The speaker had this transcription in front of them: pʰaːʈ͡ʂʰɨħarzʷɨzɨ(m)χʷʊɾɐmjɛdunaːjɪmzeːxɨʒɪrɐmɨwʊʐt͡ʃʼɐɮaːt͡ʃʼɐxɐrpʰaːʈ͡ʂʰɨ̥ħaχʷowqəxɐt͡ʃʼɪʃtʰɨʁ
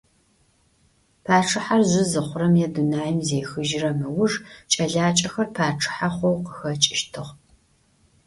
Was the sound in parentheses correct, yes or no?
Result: no